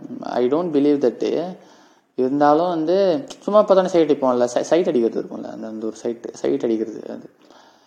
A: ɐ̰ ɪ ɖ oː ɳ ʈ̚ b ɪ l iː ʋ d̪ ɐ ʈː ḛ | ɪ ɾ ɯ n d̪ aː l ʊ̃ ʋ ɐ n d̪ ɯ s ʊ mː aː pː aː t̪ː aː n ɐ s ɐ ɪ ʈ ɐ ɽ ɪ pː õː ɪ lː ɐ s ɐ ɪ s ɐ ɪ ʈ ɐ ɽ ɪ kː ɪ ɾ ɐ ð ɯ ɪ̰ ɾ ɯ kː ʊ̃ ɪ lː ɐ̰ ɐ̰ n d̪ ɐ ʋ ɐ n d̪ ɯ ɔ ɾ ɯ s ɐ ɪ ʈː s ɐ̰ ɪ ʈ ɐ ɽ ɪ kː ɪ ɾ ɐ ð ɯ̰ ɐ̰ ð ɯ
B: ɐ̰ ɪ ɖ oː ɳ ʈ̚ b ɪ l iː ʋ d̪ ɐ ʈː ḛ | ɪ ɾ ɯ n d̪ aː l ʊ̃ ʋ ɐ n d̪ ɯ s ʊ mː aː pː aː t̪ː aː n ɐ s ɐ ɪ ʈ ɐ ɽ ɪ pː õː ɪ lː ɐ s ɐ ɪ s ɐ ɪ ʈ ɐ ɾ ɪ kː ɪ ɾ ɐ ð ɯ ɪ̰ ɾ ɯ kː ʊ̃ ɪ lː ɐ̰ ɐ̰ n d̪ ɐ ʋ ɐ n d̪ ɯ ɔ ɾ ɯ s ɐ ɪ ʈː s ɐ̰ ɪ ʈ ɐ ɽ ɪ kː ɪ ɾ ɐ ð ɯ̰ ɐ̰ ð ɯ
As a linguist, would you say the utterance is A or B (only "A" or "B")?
A